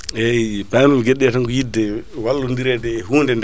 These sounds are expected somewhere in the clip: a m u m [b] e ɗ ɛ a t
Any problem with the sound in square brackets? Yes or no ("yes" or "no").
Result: yes